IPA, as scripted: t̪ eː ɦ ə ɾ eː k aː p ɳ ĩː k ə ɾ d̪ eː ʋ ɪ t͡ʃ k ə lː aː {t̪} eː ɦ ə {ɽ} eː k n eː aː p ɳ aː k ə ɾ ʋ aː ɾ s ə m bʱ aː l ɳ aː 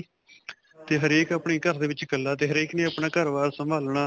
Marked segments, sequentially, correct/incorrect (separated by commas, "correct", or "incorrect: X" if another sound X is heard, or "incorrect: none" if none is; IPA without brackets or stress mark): correct, incorrect: ɾ